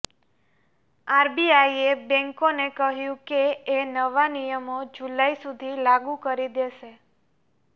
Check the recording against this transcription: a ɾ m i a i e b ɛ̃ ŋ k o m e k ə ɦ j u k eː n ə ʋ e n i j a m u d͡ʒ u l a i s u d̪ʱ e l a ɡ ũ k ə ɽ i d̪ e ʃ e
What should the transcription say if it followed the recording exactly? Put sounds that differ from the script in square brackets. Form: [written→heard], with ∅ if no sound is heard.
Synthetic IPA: a ɾ [m→b] i a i e b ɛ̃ ŋ k o [m→n] e k ə ɦ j [u→ũ] k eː n ə ʋ [e→a] n i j [a→ə] m [u→o] d͡ʒ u l a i s u d̪ʱ [e→i] l a ɡ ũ k ə [ɽ→ɾ] i d̪ e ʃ e